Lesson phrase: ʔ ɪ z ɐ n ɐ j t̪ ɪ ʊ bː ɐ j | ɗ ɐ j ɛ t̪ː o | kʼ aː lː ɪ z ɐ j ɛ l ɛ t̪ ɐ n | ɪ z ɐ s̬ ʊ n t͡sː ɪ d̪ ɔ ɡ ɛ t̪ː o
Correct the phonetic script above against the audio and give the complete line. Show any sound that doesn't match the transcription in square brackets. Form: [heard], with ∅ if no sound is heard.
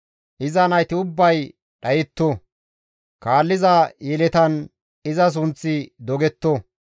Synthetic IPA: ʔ ɪ z ɐ n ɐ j t̪ ɪ ʊ bː ɐ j | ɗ ɐ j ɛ t̪ː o | [k] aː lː ɪ z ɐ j ɛ l ɛ t̪ ɐ n | ɪ z ɐ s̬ ʊ n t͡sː ɪ d̪ ɔ ɡ ɛ t̪ː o

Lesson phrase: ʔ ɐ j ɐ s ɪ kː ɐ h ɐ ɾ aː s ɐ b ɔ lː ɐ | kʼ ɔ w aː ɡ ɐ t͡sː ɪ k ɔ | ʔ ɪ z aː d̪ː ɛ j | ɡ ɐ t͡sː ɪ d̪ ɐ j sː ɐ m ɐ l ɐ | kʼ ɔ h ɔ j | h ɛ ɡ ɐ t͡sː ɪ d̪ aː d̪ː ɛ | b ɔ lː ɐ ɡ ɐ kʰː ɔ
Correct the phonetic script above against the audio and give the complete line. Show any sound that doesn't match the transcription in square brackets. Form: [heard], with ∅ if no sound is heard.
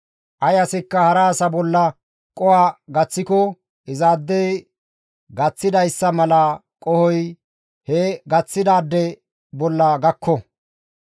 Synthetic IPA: ʔ ɐ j ɐ s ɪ kː ɐ h ɐ ɾ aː s ɐ b ɔ lː ɐ | kʼ ɔ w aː ɡ ɐ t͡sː ɪ k ɔ | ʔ ɪ z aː d̪ː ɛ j | ɡ ɐ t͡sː ɪ d̪ ɐ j sː ɐ m ɐ l ɐ | kʼ ɔ h ɔ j | h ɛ ɡ ɐ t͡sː ɪ d̪ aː d̪ː ɛ | b ɔ lː ɐ ɡ ɐ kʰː ɔ

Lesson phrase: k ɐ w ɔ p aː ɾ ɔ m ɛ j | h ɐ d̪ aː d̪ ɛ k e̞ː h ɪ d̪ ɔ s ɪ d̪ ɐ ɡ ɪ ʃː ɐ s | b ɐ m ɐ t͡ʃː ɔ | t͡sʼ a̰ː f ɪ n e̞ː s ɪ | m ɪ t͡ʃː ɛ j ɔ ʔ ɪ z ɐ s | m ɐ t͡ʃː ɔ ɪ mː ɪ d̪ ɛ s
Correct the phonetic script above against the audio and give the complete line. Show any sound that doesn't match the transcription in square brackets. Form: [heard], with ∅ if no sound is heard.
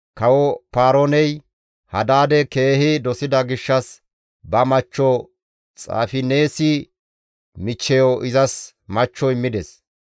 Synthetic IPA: k ɐ w ɔ p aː ɾ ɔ [n] ɛ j | h ɐ d̪ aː d̪ ɛ k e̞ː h ɪ d̪ ɔ s ɪ d̪ ɐ ɡ ɪ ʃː ɐ s | b ɐ m ɐ t͡ʃː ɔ | t͡sʼ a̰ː f ɪ n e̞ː s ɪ | m ɪ t͡ʃː ɛ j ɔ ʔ ɪ z ɐ s | m ɐ t͡ʃː ɔ ɪ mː ɪ d̪ ɛ s

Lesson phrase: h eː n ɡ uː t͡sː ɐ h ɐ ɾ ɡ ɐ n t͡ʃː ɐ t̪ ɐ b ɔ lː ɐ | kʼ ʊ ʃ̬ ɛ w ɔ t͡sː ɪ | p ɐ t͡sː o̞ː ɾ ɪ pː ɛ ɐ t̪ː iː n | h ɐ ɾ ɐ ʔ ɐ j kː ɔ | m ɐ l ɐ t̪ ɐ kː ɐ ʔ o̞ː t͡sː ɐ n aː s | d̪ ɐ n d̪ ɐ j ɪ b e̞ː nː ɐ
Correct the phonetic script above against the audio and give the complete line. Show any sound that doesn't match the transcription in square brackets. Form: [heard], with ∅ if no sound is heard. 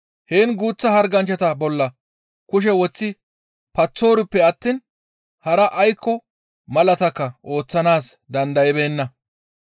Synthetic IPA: h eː n ɡ uː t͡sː ɐ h ɐ ɾ ɡ ɐ n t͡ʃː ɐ t̪ ɐ b ɔ lː ɐ | [k] ʊ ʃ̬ ɛ w ɔ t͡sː ɪ | p ɐ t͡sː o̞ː ɾ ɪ pː ɛ ɐ t̪ː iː n | h ɐ ɾ ɐ ʔ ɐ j kː ɔ | m ɐ l ɐ t̪ ɐ kː ɐ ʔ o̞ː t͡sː ɐ n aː s | d̪ ɐ n d̪ ɐ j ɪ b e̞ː nː ɐ

